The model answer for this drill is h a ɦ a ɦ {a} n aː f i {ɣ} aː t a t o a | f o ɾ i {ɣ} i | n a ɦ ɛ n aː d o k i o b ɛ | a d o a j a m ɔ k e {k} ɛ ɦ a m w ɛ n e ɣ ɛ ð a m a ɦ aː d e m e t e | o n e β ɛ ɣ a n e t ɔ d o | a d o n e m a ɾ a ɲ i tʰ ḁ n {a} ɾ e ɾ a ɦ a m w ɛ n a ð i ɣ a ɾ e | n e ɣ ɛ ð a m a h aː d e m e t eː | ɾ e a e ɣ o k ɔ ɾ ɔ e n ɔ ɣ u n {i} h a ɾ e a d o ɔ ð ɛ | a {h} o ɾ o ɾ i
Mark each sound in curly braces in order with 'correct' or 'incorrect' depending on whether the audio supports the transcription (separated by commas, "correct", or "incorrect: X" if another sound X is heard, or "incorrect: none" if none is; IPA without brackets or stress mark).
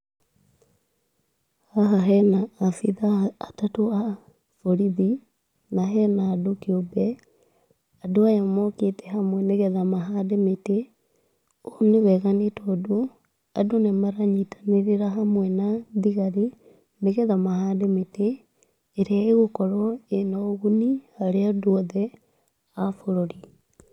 incorrect: ɛ, incorrect: ð, incorrect: ð, incorrect: t, incorrect: e, correct, incorrect: f